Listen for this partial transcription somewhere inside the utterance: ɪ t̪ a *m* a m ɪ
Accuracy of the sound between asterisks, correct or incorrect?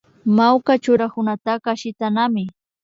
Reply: incorrect